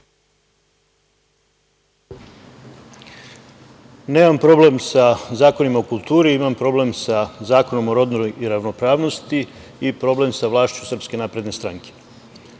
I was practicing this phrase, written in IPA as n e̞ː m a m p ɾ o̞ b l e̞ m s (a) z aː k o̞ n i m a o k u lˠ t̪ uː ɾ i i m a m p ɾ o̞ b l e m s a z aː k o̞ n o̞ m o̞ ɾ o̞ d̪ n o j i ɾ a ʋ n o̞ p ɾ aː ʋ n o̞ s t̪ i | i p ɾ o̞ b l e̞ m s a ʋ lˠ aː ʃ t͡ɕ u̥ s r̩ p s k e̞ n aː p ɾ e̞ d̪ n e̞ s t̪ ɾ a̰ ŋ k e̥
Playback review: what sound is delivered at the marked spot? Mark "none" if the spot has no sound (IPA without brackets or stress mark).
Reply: a